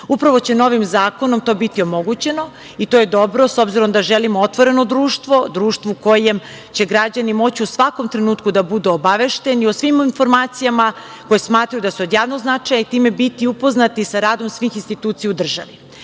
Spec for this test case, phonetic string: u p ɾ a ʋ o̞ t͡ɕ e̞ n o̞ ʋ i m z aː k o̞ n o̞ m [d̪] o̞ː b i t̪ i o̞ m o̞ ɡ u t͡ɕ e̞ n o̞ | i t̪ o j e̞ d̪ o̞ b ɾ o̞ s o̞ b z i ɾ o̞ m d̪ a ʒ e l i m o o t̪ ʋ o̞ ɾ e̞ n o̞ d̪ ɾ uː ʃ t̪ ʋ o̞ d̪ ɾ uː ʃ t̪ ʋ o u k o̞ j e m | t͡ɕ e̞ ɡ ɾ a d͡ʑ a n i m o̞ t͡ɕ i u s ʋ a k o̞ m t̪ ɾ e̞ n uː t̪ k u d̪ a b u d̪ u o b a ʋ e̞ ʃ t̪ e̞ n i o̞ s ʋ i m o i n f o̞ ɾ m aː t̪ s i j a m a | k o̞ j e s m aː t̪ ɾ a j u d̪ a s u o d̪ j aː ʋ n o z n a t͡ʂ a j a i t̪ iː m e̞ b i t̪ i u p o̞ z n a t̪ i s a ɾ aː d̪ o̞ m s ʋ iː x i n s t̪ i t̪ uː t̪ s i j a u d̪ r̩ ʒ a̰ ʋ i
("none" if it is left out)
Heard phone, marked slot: t̪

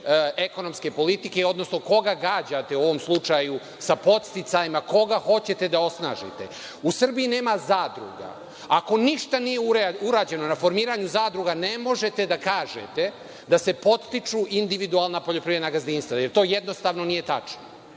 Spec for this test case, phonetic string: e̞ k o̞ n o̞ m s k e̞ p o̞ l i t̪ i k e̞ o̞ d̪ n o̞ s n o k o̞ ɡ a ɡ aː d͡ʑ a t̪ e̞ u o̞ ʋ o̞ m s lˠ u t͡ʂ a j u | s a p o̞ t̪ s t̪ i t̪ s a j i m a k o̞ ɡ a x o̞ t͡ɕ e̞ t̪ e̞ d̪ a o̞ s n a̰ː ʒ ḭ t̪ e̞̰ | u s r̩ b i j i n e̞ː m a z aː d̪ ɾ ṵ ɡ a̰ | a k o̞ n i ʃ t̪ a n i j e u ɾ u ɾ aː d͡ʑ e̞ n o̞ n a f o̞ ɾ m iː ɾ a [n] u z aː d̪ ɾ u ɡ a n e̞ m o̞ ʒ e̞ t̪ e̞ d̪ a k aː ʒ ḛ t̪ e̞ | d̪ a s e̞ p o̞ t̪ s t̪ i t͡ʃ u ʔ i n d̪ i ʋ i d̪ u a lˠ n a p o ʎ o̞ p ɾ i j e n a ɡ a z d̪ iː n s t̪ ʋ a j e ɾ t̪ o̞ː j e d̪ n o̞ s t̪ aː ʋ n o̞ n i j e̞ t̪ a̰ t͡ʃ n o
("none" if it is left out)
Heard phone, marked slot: ɲ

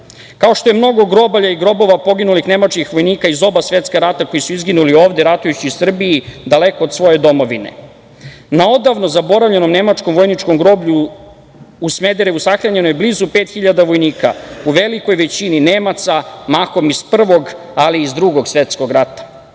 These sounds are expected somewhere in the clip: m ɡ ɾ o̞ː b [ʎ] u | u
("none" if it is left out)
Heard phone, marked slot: ʎ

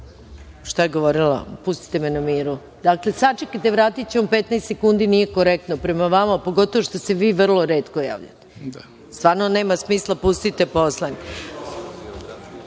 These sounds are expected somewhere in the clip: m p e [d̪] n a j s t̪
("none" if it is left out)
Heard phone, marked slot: t̪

